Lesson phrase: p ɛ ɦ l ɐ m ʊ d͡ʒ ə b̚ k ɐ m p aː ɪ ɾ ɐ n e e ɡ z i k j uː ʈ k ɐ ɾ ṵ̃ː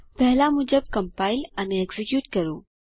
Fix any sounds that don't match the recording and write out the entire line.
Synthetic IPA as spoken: p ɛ ɦ l a m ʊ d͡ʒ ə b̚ k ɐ m p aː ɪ l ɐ n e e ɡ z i k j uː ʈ k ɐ ɾ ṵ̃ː